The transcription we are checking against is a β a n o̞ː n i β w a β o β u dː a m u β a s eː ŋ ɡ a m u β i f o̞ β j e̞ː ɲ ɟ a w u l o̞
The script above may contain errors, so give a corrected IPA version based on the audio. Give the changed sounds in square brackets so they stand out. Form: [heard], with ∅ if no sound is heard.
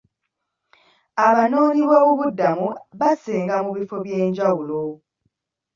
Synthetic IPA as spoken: a β a n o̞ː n i β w a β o β u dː a m u β a s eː ŋ ɡ a m u β i f o̞ β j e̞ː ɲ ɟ a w u l o̞